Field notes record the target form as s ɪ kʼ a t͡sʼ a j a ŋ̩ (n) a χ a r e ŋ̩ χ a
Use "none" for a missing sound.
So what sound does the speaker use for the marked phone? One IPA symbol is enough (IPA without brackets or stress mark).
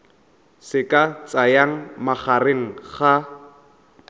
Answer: m